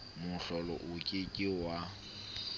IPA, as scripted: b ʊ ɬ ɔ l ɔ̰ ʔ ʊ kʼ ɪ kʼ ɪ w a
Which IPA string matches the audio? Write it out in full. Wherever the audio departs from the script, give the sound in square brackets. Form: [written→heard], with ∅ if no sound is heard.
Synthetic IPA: [b→m] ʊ ɬ ɔ l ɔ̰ ʔ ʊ kʼ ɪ kʼ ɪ w a